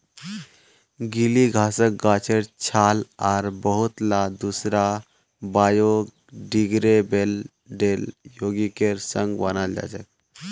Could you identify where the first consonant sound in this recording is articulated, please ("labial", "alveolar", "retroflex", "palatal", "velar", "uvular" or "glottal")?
velar